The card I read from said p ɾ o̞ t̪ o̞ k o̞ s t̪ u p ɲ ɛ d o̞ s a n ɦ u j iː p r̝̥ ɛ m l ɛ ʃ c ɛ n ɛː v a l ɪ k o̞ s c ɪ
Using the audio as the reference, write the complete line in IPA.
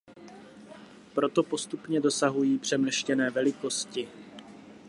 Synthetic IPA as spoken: p ɾ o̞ t̪ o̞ p o̞ s t̪ u p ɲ ɛ d o̞ s a ɦ u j iː p r̝̥ ɛ m l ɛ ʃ c ɛ n ɛː v ɛ l ɪ k o̞ s c ɪ